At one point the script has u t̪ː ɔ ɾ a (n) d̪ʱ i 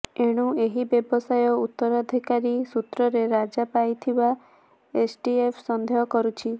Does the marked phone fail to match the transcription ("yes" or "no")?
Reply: yes